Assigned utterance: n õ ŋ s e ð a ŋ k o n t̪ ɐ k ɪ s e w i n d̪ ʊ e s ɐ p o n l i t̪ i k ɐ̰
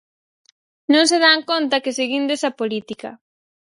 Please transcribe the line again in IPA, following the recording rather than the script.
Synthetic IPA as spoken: n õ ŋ s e ð a ŋ k o n t̪ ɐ k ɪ s e ɣ i n d̪ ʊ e s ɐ p o l i t̪ i k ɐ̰